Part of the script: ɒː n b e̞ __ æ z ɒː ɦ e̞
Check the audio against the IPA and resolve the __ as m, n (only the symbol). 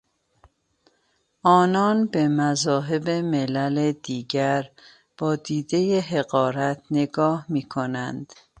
m